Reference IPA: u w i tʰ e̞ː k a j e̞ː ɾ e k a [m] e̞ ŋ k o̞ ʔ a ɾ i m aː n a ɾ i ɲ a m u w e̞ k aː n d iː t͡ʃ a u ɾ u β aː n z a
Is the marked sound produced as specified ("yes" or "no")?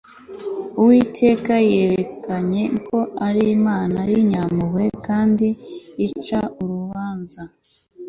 no